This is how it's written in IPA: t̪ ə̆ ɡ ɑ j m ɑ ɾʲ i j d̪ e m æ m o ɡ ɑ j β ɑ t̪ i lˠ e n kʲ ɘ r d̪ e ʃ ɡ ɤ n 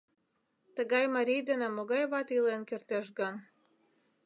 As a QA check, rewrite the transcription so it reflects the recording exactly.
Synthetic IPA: t̪ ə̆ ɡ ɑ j m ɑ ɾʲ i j d̪ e n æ m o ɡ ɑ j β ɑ t̪ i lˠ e n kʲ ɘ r t̪ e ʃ ɡ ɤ n